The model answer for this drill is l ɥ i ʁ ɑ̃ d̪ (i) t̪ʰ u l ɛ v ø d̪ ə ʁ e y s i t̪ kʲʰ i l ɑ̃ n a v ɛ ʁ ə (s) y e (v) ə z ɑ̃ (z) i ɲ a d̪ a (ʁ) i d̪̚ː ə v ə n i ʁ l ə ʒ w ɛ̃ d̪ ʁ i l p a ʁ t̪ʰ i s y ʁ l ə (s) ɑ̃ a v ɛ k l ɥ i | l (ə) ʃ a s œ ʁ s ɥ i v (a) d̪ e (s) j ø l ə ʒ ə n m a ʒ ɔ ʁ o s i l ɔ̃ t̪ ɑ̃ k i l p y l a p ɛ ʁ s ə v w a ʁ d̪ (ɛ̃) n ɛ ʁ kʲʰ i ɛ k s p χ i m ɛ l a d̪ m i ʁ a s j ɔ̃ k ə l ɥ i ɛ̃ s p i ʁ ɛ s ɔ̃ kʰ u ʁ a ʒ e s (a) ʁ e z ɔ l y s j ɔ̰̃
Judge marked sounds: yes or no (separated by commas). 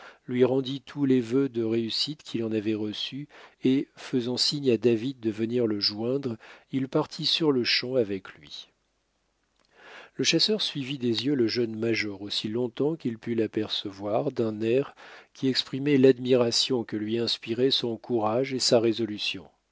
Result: yes, yes, no, no, no, no, yes, no, no, yes, yes